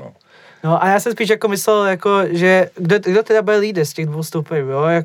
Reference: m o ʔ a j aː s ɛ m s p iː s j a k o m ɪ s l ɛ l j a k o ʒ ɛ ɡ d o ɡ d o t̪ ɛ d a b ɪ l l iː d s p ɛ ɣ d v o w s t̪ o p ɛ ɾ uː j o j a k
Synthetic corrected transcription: n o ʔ a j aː s ɛ m s p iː ʃ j a k o m ɪ s l ɛ l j a k o ʒ ɛ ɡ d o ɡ d o t̪ ɛ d a b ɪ l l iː d s c ɛ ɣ d v o w s t̪ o p ɛ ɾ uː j o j a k